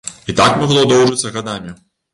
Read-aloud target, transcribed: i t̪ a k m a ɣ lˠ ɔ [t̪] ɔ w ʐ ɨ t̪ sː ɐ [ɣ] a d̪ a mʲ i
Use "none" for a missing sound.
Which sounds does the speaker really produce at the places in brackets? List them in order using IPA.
d̪, ɣ

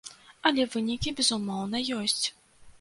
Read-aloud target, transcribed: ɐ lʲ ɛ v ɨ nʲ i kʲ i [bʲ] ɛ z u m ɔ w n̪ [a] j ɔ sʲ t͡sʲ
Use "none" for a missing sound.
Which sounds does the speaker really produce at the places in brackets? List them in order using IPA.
bʲ, ɐ

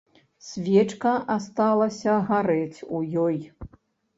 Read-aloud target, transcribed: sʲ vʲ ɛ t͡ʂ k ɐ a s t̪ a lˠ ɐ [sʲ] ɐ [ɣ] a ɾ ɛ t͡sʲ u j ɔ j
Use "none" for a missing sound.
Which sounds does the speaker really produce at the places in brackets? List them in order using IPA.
sʲ, ɣ

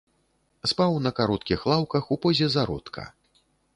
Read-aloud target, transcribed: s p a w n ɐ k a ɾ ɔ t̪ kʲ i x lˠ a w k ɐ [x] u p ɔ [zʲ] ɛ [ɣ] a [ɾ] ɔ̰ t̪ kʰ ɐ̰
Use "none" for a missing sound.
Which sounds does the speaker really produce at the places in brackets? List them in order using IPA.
x, zʲ, z, ɾ

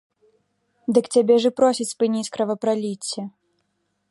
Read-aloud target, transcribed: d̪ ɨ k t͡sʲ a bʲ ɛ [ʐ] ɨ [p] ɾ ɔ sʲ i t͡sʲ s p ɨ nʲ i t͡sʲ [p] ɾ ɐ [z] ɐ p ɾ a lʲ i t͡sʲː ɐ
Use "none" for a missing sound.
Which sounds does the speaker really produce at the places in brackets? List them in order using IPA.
ʐ, p, k, v

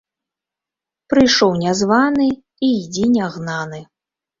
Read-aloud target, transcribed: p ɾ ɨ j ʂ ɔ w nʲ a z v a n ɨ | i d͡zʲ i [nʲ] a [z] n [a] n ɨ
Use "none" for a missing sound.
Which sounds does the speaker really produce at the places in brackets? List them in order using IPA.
nʲ, ɣ, a

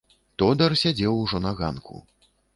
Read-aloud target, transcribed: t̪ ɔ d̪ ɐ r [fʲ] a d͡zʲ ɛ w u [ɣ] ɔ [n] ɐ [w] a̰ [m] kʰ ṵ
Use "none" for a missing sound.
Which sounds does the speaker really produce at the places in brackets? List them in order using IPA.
sʲ, ʐ, n, ɣ, n

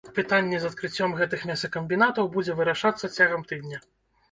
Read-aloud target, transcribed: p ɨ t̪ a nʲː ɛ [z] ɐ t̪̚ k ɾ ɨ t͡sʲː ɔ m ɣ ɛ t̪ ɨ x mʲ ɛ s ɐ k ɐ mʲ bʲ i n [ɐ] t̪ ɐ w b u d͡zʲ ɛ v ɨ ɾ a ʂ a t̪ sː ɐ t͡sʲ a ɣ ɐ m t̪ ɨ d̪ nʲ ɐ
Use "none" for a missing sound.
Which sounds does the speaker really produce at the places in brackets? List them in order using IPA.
z, a

